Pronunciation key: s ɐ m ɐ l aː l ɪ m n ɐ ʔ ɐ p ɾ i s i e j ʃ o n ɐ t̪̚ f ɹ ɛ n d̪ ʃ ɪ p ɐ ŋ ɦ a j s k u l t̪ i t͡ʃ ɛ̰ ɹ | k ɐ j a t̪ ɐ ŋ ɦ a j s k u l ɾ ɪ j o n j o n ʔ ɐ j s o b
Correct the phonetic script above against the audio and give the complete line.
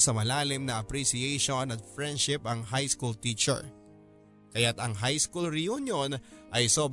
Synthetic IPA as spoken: s ɐ m ɐ l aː l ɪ m n ɐ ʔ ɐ p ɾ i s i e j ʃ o n ɐ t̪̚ f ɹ ɛ n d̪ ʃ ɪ p ɐ ŋ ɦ a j s k u l t̪ i t͡ʃ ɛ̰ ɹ | k ɐ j a t̪ ɐ ŋ ɦ a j s k u l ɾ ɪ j u n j o n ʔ ɐ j s o b